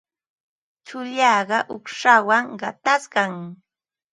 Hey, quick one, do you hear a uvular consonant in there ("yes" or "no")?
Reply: yes